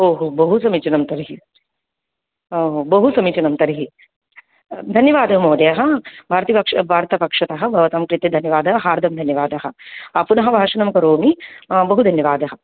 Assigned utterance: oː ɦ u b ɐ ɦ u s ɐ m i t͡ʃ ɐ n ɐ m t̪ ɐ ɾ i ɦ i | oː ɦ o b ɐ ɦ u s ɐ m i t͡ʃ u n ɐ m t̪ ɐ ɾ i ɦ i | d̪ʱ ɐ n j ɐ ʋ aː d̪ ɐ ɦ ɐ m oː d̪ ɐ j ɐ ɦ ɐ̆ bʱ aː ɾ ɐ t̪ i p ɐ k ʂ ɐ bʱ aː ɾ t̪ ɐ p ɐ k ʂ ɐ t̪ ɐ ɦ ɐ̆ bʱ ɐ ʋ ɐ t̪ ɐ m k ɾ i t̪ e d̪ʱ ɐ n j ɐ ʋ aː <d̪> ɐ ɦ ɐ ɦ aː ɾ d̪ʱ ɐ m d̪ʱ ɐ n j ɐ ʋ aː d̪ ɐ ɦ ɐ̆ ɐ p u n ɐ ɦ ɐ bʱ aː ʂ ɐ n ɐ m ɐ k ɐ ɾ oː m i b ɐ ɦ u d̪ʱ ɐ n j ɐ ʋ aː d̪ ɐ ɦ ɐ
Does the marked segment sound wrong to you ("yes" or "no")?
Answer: no